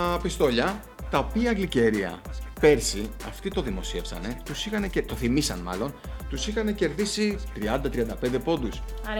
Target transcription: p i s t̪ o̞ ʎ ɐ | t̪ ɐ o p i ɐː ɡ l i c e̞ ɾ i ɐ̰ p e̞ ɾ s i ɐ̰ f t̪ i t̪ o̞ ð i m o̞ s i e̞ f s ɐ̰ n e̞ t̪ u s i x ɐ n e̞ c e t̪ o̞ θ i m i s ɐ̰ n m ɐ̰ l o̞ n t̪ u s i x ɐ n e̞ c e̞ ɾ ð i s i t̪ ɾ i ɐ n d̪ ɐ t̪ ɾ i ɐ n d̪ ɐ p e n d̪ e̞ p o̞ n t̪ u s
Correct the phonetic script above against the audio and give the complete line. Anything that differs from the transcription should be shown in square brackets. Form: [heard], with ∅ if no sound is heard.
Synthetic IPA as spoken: p i s t̪ o̞ ʎ ɐ | t̪ ɐ o p i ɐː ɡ l i c e̞ ɾ i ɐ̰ p e̞ ɾ s i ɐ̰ f t̪ i t̪ o̞ ð i m o̞ s i e̞ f s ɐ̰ n e̞ t̪ u s i x ɐ n e̞ c e t̪ o̞ θ i m i s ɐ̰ n m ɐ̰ l o̞ n t̪ u s i x ɐ n e̞ c e̞ ɾ ð i s i t̪ ɾ i ɐ n d̪ ɐ t̪ ɾ i ɐ n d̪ ɐ p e n d̪ e̞ p o̞ n [d̪] u s